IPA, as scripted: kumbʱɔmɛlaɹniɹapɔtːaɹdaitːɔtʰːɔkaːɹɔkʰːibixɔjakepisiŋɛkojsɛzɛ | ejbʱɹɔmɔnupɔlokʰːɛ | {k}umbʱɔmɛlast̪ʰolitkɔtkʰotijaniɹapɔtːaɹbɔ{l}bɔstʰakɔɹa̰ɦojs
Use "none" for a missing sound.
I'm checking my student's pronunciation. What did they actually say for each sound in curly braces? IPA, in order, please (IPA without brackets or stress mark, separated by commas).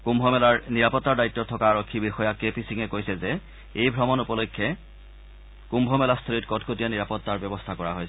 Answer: k, none